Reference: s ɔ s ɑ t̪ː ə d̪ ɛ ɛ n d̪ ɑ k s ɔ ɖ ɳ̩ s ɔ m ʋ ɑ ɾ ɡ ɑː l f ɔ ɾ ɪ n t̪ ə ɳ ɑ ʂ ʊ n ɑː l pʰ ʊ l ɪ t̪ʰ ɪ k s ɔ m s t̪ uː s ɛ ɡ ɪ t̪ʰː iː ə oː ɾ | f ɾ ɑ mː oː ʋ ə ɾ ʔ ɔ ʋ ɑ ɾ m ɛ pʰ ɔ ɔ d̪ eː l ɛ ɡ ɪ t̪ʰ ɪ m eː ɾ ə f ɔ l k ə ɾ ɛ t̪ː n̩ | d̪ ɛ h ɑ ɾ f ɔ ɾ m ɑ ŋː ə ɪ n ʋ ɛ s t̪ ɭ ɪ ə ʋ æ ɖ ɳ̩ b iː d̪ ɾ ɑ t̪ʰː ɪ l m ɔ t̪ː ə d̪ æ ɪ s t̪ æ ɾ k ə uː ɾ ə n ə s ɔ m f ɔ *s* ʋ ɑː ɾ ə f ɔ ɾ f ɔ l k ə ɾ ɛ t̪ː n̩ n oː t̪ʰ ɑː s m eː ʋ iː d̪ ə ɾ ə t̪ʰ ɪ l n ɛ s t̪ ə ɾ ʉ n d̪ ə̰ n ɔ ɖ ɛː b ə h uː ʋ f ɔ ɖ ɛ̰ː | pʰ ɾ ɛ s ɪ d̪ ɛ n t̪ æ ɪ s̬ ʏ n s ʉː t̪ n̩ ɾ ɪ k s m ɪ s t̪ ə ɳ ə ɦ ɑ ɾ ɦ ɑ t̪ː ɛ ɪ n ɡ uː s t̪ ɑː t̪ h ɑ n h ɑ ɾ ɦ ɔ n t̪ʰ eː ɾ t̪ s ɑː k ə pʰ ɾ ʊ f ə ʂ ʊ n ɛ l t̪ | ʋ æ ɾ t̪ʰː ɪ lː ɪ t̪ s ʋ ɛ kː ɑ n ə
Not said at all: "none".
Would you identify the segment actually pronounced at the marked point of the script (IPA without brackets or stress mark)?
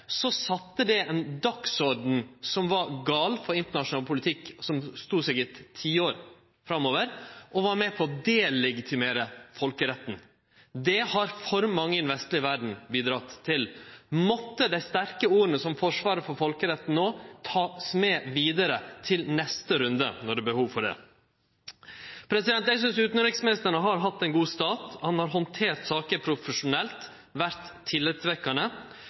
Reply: ʂ